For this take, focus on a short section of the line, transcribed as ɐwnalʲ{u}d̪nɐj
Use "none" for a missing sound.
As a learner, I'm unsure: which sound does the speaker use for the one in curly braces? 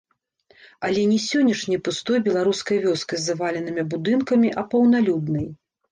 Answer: u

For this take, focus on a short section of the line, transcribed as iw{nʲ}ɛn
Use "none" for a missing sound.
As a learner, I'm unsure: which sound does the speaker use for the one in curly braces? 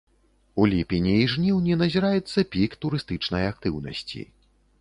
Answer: nʲ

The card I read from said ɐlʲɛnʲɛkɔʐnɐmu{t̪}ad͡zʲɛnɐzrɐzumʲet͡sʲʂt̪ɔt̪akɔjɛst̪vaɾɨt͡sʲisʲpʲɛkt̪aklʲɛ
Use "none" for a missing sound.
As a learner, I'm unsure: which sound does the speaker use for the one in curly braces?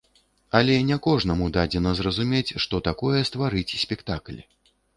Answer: d̪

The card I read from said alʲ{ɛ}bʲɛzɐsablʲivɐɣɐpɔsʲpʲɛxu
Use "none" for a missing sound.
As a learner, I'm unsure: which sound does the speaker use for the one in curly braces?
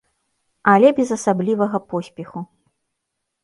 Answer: ɛ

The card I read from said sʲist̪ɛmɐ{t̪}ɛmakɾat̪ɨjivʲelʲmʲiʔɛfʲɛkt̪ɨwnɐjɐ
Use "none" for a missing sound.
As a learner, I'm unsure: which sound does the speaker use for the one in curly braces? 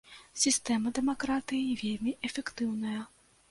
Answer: d̪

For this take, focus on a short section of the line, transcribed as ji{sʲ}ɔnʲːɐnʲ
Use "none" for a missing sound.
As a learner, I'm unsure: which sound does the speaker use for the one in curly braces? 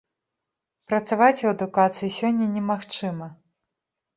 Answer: sʲ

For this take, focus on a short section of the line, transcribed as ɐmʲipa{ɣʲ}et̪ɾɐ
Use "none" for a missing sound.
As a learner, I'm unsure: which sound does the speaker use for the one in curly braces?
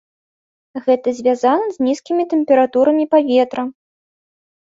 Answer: vʲ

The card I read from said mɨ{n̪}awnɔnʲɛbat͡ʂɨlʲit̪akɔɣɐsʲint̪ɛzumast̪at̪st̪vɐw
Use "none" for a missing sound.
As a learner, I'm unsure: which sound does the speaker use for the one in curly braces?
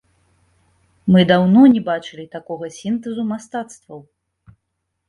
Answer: d̪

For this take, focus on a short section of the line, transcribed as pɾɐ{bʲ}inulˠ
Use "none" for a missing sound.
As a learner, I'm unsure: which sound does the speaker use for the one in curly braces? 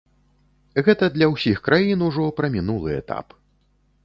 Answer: mʲ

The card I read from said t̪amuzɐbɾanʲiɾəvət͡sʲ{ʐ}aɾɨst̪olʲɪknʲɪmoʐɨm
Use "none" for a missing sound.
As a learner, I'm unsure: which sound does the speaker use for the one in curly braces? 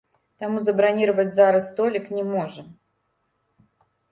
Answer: z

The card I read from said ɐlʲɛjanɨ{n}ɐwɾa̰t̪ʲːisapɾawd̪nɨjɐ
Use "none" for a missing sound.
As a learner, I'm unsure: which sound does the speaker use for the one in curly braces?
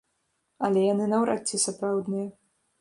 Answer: n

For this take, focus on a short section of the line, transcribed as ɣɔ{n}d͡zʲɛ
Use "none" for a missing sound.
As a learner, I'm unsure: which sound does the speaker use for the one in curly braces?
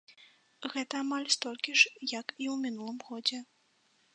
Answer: none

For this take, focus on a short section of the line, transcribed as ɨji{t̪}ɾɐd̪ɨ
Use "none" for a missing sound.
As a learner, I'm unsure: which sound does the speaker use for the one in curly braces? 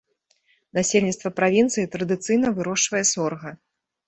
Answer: t̪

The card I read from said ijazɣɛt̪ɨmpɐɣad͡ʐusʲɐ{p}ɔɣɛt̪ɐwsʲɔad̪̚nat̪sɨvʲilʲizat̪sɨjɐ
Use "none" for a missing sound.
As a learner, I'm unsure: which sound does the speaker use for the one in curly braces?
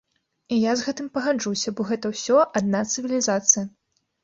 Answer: b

